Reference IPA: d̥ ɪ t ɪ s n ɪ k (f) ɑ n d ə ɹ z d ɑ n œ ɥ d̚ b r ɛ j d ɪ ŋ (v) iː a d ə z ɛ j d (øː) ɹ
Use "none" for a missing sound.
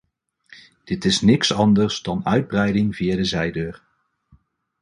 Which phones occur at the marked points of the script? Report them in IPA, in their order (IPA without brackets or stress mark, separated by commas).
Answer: s, v, øː